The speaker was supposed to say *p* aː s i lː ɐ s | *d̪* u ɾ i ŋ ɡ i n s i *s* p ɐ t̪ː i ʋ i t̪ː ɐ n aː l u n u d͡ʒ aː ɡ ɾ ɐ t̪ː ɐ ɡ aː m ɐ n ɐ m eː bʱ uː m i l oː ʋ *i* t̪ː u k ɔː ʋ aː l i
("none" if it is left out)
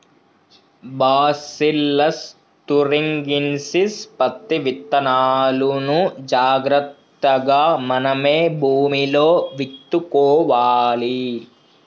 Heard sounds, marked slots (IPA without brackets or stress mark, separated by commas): b, t̪, s, i